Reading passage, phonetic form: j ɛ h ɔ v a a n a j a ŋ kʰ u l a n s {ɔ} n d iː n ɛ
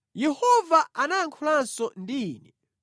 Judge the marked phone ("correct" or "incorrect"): correct